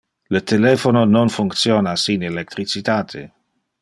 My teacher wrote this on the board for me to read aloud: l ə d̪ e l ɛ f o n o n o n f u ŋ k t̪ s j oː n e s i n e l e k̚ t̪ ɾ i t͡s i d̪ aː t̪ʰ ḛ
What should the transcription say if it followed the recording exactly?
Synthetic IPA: l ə t̪ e l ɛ f o n o n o n f u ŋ k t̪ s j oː n a s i n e l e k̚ t̪ ɾ i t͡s i t̪ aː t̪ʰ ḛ

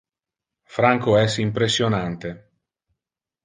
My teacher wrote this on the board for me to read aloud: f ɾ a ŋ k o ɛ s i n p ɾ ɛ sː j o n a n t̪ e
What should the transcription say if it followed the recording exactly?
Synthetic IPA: f ɾ a ŋ k o ɛ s i m p ɾ e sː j o n a n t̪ e

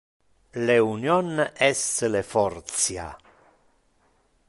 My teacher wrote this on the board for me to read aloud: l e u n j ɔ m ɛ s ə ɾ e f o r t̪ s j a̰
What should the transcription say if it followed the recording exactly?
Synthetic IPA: l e u n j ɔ n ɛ s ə l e f ɔ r t̪ s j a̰

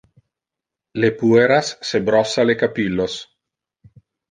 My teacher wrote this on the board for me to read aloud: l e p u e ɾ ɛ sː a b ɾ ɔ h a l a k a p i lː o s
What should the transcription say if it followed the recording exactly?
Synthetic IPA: l e p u e ɾ a sː e b ɾ ɔ s a l e k a p i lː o s

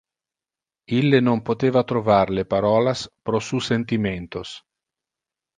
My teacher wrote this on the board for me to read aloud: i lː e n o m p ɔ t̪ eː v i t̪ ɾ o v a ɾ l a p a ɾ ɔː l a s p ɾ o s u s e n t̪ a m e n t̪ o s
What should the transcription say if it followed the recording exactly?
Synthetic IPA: i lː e n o m p o t̪ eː v a t̪ ɾ o v a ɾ l e p a ɾ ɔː l a s p ɾ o s u s e n t̪ i m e n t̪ o s

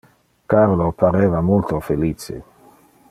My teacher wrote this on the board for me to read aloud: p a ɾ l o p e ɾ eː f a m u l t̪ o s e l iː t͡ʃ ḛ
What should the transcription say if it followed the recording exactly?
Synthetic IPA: k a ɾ l o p a ɾ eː v a m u l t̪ o f e l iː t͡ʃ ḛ

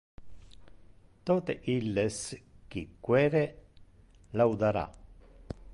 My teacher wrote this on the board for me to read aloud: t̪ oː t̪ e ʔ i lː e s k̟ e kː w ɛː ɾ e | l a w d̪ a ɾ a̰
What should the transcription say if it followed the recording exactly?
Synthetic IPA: t̪ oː t̪ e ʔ i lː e s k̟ i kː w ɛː ɾ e | l a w d̪ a ɾ a̰

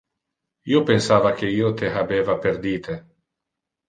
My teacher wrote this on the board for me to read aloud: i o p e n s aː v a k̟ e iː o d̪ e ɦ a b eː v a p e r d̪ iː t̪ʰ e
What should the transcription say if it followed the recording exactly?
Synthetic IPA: i o p e n s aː v a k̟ e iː o t̪ e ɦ a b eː v a p e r d̪ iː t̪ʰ e

